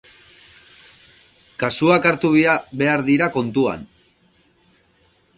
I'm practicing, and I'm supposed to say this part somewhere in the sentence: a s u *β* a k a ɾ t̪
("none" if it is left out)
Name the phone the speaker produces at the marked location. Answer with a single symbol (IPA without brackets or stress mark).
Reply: none